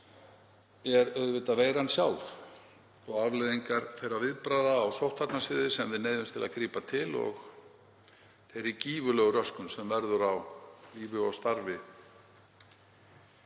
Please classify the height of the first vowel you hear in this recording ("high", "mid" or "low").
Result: mid